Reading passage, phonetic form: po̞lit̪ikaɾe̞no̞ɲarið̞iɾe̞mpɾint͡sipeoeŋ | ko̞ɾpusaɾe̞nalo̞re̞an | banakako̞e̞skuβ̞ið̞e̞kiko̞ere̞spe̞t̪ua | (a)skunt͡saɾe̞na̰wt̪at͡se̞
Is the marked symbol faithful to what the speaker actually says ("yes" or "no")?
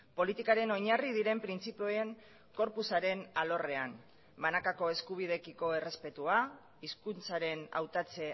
no